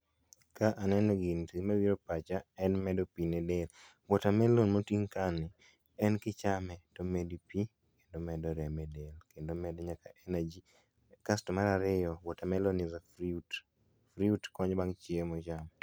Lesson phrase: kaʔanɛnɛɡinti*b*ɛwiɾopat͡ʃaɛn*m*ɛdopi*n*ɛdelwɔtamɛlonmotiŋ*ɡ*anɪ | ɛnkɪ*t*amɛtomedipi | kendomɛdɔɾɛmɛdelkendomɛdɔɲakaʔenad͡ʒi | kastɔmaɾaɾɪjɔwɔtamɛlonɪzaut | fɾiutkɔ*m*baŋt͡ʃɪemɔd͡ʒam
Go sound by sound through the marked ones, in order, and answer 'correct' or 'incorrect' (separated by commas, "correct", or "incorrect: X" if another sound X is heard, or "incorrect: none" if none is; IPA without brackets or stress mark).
incorrect: m, correct, correct, incorrect: k, incorrect: t͡ʃ, incorrect: ɲ